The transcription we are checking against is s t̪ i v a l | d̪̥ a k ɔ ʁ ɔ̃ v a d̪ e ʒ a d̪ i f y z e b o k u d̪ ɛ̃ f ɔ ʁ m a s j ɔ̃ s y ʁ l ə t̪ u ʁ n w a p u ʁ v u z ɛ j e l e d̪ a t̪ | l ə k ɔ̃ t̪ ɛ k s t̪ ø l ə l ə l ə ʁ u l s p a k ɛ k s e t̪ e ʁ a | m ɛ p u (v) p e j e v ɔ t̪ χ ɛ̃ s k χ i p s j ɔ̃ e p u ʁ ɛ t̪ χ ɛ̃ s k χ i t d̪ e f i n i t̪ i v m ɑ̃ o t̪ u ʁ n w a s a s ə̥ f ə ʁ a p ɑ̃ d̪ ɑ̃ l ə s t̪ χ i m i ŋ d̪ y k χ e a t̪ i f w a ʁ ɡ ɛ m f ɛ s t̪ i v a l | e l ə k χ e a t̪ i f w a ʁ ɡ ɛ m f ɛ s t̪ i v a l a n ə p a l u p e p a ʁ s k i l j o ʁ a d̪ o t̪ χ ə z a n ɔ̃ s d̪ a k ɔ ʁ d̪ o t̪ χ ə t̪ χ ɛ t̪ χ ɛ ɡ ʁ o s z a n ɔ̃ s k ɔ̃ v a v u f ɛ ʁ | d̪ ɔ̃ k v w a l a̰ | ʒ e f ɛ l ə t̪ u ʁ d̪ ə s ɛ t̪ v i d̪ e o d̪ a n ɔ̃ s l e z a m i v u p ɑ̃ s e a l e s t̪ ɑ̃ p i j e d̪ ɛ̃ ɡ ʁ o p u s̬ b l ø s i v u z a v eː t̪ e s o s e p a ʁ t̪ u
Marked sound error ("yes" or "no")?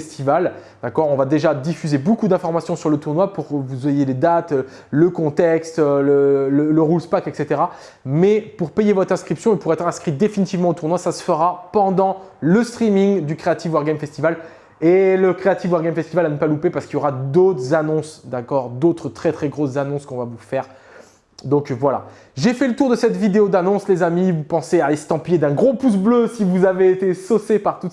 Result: yes